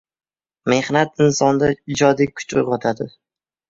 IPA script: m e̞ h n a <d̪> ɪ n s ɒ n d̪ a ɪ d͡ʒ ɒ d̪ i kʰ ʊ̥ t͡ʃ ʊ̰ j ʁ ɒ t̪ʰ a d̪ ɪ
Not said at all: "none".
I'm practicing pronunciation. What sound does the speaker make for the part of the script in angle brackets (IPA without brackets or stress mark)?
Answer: t̪